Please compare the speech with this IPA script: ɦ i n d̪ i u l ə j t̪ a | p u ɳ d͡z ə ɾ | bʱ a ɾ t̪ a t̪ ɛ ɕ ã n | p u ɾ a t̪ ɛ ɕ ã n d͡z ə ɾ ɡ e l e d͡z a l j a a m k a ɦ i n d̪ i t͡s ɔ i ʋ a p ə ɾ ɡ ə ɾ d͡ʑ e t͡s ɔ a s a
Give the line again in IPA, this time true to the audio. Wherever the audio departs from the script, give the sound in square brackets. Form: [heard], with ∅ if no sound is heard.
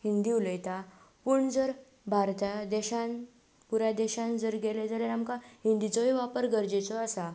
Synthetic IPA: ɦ i n d̪ i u l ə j t̪ a | p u ɳ d͡z ə ɾ | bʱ a ɾ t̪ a [d̪] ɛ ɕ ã n | p u ɾ a [d̪] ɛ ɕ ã n d͡z ə ɾ ɡ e l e d͡z a l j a a m k a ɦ i n d̪ i t͡s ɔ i ʋ a p ə ɾ ɡ ə ɾ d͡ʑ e t͡s ɔ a s a